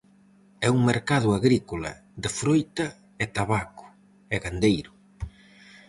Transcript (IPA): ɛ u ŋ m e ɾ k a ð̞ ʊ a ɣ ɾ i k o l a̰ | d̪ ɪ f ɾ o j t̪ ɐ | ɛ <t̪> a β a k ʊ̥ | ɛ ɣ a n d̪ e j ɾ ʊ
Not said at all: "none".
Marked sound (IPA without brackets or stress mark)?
t̪